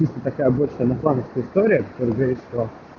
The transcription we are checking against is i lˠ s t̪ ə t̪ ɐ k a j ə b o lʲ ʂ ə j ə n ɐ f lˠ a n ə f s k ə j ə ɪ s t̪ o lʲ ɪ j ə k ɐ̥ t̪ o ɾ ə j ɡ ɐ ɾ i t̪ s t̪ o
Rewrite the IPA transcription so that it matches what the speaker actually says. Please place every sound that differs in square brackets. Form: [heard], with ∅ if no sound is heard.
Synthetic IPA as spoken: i [∅] s t̪ ə t̪ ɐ k a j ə b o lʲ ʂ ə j ə n ɐ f lˠ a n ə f s k ə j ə ɪ s t̪ o [ɾʲ] ɪ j ə k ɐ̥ t̪ o ɾ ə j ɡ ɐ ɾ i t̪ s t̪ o